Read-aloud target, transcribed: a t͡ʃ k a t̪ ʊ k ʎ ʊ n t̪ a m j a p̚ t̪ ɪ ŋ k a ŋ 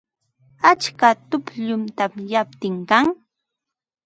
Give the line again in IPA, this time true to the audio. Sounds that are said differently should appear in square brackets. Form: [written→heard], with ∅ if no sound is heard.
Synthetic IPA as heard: a t͡ʃ k a t̪ ʊ [k→p] ʎ ʊ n t̪ a m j a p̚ t̪ ɪ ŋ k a ŋ